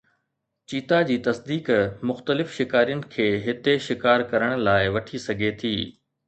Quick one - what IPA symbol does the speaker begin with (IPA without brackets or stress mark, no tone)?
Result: t͡ɕ